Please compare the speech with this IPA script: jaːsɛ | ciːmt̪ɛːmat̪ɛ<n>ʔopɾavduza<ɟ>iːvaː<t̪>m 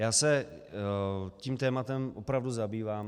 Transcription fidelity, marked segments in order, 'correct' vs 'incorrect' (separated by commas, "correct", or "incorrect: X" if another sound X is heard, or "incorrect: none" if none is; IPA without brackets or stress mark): incorrect: m, incorrect: b, incorrect: none